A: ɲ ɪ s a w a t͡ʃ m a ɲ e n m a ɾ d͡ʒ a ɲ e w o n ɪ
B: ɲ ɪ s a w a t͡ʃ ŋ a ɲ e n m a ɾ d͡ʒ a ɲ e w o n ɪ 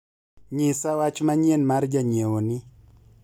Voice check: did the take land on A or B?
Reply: A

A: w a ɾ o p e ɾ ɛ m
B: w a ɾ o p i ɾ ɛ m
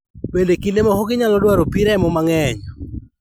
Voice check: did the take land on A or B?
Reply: B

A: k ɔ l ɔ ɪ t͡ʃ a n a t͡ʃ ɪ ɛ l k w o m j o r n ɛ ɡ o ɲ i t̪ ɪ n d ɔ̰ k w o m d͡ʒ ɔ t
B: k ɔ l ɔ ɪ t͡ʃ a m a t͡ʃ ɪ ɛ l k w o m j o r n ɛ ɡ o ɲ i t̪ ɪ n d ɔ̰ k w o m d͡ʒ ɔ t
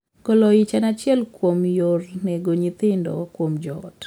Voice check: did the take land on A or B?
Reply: A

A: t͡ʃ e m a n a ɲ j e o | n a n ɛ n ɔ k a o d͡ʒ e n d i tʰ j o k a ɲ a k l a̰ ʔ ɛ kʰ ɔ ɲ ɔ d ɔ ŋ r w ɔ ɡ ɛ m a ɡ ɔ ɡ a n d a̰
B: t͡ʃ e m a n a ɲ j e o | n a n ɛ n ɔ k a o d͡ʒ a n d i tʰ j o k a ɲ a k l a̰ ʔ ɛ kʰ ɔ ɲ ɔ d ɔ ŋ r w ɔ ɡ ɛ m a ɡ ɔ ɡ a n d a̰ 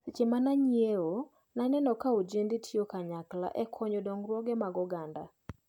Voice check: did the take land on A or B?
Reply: A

